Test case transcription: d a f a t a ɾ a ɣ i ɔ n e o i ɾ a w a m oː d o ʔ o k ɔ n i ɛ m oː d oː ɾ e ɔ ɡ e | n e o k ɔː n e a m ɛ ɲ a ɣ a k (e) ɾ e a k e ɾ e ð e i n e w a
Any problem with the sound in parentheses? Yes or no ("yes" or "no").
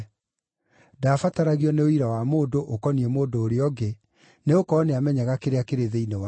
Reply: no